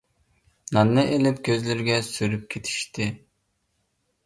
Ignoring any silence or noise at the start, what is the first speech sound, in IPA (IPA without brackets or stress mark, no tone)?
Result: n